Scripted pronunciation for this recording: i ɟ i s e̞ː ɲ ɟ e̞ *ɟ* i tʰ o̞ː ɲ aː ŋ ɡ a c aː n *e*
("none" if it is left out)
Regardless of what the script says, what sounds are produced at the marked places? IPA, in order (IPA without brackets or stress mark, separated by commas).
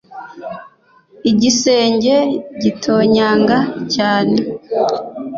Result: ɟ, e